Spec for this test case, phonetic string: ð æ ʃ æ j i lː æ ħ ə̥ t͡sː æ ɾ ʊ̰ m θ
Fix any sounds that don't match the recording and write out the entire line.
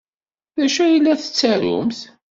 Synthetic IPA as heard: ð æ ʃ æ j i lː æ θ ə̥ t͡sː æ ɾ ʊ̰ m θ